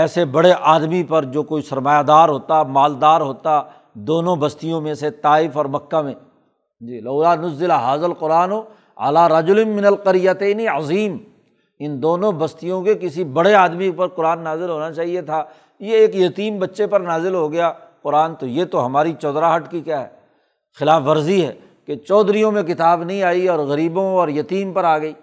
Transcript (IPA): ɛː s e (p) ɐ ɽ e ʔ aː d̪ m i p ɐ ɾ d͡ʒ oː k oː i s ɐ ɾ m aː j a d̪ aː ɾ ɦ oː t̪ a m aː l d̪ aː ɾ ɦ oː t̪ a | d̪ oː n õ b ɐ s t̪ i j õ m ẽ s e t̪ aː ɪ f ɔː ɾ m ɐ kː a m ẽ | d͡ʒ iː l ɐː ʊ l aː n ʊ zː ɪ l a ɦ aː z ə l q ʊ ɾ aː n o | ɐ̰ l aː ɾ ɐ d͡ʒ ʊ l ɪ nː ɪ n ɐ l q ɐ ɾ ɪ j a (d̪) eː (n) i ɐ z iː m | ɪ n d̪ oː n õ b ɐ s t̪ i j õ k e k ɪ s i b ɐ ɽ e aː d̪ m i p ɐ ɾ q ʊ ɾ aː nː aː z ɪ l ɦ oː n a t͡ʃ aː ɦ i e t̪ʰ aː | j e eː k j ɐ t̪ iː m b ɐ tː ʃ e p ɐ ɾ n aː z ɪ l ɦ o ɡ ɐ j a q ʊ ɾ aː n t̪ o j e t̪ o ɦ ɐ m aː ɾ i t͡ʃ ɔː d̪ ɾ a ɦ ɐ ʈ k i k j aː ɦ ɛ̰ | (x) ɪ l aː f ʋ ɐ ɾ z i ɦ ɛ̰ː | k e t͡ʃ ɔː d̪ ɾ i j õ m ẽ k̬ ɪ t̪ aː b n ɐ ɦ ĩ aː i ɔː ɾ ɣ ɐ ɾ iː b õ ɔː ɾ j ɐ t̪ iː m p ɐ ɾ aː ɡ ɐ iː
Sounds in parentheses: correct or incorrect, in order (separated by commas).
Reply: incorrect, incorrect, correct, correct